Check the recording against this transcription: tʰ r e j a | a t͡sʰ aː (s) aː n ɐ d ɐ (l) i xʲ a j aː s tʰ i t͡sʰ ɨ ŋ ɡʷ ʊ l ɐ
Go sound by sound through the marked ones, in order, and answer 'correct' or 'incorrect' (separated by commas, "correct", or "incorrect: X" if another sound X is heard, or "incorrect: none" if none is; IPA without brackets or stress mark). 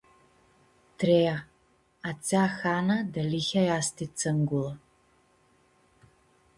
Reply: incorrect: x, correct